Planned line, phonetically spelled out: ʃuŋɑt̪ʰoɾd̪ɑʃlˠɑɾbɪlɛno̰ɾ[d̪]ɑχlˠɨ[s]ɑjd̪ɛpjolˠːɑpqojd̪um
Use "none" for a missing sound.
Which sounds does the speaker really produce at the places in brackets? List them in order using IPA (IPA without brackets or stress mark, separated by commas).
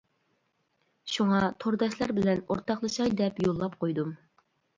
t̪, ʃ